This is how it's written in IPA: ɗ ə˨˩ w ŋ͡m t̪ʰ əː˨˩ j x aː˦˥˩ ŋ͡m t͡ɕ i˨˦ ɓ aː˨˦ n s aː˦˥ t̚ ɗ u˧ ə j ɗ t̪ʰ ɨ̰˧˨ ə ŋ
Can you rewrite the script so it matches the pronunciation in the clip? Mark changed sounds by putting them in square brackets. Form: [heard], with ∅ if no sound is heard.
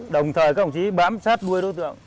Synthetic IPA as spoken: ɗ ə˨˩ w ŋ͡m t̪ʰ əː˨˩ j [k] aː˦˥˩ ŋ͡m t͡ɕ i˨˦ ɓ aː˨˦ [m] s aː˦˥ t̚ ɗ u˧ ə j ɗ [t̪] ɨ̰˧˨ ə ŋ